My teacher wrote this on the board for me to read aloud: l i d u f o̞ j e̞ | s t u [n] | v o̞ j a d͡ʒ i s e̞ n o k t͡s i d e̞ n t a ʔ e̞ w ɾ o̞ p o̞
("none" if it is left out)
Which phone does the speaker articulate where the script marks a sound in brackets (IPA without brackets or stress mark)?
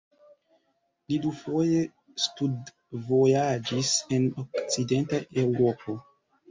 d